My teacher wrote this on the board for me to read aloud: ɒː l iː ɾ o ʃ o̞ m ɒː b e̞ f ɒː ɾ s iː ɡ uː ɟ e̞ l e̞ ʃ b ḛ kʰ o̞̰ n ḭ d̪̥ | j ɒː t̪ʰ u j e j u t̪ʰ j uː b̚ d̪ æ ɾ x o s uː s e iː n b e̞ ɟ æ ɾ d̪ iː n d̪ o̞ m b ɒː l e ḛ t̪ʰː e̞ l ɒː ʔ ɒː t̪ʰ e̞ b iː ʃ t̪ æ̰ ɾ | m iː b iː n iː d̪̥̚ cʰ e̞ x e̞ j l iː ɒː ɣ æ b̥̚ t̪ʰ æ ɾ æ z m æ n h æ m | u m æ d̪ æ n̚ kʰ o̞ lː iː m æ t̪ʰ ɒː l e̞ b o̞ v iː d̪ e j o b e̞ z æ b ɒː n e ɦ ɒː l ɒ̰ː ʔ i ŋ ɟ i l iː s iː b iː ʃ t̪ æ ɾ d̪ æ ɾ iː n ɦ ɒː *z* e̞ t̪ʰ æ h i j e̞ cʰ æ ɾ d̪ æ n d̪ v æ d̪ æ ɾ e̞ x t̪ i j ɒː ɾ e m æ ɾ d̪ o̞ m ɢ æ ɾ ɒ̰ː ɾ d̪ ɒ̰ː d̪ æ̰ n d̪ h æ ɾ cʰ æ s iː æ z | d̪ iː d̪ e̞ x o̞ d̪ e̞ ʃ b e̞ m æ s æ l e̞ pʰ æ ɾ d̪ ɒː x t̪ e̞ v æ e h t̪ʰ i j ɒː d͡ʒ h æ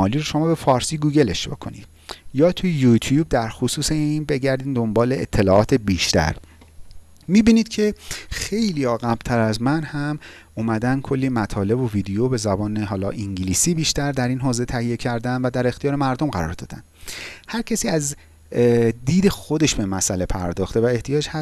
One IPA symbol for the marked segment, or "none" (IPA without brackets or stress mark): z